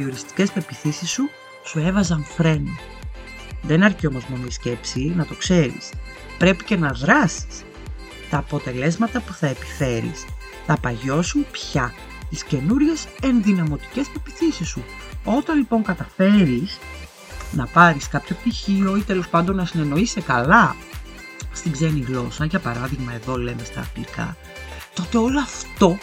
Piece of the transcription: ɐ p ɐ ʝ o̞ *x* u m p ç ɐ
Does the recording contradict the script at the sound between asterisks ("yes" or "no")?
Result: yes